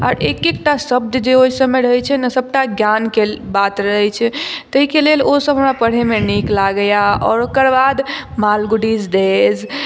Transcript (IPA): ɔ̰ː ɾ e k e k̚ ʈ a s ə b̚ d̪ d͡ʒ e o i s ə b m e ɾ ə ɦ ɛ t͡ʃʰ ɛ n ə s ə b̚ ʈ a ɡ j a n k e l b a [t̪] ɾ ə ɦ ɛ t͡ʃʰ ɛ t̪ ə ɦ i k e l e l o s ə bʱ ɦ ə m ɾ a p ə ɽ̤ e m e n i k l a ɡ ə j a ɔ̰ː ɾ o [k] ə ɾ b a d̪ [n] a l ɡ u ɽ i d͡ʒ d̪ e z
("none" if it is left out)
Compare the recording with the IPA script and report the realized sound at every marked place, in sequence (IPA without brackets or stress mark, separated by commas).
t̪, k, m